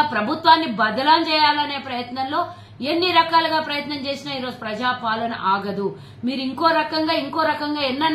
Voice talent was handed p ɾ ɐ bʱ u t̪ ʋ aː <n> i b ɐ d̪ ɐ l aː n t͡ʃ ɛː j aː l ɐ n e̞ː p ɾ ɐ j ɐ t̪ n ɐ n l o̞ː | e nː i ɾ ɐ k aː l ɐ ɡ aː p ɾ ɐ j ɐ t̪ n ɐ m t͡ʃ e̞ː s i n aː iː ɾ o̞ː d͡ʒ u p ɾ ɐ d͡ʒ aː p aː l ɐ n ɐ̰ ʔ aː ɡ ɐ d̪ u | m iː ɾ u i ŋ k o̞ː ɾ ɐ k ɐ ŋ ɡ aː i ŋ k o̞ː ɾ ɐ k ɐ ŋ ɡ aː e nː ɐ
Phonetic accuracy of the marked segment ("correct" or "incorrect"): incorrect